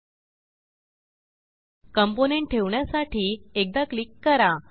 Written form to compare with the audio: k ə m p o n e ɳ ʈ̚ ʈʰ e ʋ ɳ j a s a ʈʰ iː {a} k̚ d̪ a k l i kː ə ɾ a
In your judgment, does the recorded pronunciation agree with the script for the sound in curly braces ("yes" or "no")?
no